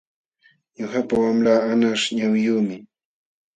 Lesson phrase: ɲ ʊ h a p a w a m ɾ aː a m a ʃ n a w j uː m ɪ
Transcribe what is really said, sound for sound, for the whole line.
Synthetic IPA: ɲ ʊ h a p a w a m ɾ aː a n a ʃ ɲ a w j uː m ɪ